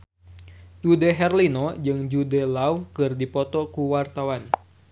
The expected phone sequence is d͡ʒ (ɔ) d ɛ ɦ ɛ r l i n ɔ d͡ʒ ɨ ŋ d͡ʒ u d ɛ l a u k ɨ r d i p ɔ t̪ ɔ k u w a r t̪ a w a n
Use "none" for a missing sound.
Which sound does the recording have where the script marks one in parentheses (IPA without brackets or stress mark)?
u